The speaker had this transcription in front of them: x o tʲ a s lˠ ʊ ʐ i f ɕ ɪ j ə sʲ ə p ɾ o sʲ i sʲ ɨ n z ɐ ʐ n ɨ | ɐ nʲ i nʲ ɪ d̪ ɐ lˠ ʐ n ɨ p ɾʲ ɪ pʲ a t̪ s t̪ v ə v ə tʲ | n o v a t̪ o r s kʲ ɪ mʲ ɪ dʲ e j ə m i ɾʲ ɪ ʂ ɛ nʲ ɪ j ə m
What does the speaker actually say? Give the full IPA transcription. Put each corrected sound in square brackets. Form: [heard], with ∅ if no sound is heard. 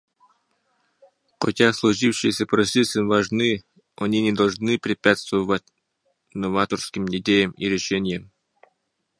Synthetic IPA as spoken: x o tʲ a s lˠ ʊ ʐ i f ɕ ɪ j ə sʲ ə p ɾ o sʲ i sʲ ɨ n [v] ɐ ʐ n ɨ | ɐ nʲ i nʲ ɪ d̪ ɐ lˠ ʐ n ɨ p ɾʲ ɪ pʲ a t̪ s t̪ v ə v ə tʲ | n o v a t̪ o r s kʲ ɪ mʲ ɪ dʲ e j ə m i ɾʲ ɪ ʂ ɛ nʲ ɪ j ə m

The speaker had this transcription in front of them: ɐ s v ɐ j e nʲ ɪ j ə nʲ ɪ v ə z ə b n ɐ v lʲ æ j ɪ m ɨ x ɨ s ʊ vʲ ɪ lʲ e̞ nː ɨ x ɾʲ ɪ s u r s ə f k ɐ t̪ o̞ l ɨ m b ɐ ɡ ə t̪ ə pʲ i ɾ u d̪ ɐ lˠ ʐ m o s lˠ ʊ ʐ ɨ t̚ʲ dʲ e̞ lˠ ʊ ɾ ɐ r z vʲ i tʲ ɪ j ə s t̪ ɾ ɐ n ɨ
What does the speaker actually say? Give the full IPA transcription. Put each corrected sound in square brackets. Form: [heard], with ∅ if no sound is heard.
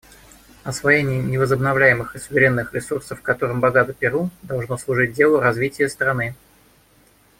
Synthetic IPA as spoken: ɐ s v ɐ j e nʲ ɪ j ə nʲ ɪ v ə z ə b n ɐ v lʲ æ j ɪ m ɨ x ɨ s ʊ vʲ ɪ [ɾʲ] e̞ nː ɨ x ɾʲ ɪ s u r s ə f k ɐ t̪ o̞ [ɾ] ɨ m b ɐ ɡ [a] t̪ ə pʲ [ɪ] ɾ u d̪ ɐ lˠ ʐ [n] o s lˠ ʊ ʐ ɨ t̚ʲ dʲ e̞ lˠ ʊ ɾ ɐ [∅] z vʲ i tʲ ɪ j ə s t̪ ɾ ɐ n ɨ

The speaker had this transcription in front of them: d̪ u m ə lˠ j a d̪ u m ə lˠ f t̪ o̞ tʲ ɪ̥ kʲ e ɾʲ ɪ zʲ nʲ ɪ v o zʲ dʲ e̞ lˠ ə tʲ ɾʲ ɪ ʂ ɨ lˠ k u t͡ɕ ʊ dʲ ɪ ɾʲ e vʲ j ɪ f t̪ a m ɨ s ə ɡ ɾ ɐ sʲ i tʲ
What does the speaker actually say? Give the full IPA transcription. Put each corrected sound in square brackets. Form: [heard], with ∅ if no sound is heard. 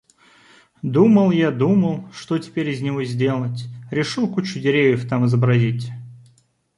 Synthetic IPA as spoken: d̪ u m ə lˠ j a d̪ u m ə lˠ [ʂ] t̪ o̞ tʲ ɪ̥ [pʲ] e ɾʲ ɪ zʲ nʲ ɪ v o zʲ dʲ e̞ lˠ ə tʲ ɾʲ ɪ ʂ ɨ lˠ k u t͡ɕ ʊ dʲ ɪ ɾʲ e vʲ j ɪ f t̪ a m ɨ [z] ə [b] ɾ ɐ [zʲ] i tʲ

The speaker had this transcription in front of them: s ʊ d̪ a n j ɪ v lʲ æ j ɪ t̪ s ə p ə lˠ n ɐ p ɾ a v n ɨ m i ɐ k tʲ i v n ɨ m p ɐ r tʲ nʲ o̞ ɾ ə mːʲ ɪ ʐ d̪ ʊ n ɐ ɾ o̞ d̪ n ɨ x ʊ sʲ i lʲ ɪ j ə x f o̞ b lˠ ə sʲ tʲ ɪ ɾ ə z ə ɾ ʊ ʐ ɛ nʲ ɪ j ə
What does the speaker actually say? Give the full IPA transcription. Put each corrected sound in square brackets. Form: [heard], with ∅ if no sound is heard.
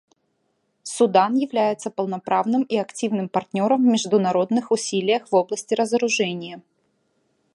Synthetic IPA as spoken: s ʊ d̪ a n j ɪ v lʲ æ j ɪ t̪ s ə p ə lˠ n ɐ p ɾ a v n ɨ m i ɐ k tʲ i v n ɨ m p ɐ r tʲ nʲ o̞ ɾ ə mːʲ ɪ ʐ d̪ ʊ n ɐ ɾ o̞ d̪ n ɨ x ʊ sʲ i lʲ ɪ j ə x [v] o̞ b lˠ ə sʲ tʲ ɪ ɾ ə z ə ɾ ʊ ʐ ɛ nʲ ɪ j ə

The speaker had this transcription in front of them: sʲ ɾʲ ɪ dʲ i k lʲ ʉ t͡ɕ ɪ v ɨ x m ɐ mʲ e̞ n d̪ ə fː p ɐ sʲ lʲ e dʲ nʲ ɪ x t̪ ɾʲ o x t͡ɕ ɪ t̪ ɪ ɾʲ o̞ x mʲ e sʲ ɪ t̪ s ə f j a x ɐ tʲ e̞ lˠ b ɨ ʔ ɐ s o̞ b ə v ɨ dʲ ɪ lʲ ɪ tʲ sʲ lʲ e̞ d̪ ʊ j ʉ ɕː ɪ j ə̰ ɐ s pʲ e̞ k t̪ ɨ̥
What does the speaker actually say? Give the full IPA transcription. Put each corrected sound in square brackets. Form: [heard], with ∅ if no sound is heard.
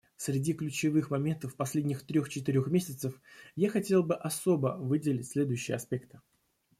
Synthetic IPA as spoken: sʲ ɾʲ ɪ dʲ i k lʲ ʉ t͡ɕ ɪ v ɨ x m ɐ mʲ e̞ n [t̪] ə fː p ɐ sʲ lʲ e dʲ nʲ ɪ x t̪ ɾʲ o x t͡ɕ ɪ t̪ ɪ ɾʲ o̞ x mʲ e sʲ ɪ t̪ s ə f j a x ɐ tʲ e̞ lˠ b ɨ ʔ ɐ s o̞ b ə v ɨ dʲ ɪ lʲ ɪ tʲ sʲ lʲ e̞ d̪ ʊ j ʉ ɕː ɪ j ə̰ ɐ s pʲ e̞ k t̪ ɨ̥

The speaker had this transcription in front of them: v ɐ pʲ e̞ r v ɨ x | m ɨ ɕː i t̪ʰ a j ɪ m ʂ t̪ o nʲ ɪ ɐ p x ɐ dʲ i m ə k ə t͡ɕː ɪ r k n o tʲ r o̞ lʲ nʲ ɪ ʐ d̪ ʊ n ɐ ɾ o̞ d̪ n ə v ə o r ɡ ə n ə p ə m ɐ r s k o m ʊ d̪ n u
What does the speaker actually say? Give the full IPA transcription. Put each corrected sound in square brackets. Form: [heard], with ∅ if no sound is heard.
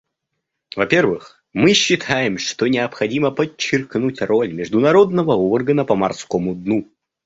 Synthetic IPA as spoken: v ɐ pʲ e̞ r v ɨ x | m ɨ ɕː [ɪ] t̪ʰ a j ɪ m ʂ t̪ o nʲ ɪ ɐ p x ɐ dʲ i m ə [p] ə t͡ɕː ɪ r k n [u] tʲ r o̞ lʲ [mʲ] ɪ ʐ d̪ ʊ n ɐ ɾ o̞ d̪ n ə v ə o r ɡ ə n ə p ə m ɐ r s k o m ʊ d̪ n u

